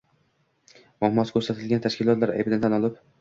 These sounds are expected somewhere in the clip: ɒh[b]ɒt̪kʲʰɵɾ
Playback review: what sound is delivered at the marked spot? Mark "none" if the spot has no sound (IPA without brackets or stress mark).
m